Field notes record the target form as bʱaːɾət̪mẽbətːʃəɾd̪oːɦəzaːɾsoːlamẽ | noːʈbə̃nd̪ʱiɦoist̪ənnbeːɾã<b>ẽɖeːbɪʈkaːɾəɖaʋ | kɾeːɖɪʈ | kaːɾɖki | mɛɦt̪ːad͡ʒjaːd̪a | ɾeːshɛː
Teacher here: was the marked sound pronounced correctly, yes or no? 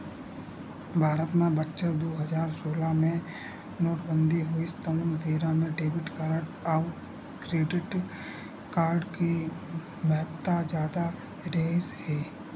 no